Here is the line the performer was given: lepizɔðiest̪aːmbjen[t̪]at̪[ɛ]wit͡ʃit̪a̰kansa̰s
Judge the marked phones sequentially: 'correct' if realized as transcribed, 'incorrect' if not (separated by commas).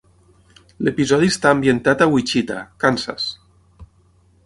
correct, incorrect